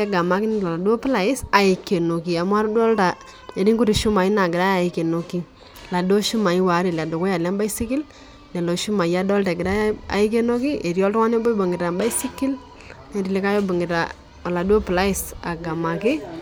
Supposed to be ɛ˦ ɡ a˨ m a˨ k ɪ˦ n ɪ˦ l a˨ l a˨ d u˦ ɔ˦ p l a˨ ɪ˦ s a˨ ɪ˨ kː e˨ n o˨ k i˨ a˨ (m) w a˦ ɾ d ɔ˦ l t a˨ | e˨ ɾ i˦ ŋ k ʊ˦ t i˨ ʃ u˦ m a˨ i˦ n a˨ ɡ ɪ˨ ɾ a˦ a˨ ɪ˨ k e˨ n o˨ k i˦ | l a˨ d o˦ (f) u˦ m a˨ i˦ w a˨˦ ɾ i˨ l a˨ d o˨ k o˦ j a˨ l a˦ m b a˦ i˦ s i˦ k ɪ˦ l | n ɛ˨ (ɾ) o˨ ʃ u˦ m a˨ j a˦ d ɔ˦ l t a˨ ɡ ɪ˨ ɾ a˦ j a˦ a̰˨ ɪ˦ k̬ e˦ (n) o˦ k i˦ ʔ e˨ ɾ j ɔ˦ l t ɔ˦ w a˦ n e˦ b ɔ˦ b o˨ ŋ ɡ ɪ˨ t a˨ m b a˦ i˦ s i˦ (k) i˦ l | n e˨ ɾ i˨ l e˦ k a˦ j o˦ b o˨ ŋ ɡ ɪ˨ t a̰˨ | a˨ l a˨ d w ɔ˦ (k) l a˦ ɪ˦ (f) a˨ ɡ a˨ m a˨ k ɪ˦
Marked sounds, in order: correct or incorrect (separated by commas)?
correct, incorrect, incorrect, correct, correct, incorrect, incorrect